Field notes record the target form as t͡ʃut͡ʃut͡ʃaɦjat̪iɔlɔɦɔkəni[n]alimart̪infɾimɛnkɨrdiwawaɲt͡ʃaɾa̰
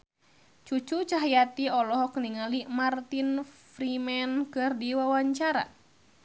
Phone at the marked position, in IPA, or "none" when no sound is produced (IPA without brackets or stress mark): ŋ